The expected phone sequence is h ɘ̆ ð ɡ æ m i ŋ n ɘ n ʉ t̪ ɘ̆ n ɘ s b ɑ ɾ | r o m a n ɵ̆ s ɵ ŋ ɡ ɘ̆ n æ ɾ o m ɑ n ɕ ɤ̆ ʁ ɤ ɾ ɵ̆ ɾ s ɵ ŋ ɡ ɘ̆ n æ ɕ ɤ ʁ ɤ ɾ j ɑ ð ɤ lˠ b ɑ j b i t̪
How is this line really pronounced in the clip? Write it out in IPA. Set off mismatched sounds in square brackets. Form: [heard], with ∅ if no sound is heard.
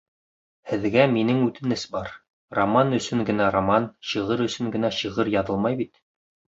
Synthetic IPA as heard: h ɘ̆ ð ɡ æ m i [∅] n ɘ [ŋ] ʉ t̪ ɘ̆ n ɘ s b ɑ ɾ | r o m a n ɵ̆ s ɵ ŋ ɡ ɘ̆ n æ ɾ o m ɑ n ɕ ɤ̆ ʁ ɤ ɾ ɵ̆ [∅] s ɵ ŋ ɡ ɘ̆ n æ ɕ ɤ ʁ ɤ ɾ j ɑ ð ɤ lˠ [m] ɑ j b i t̪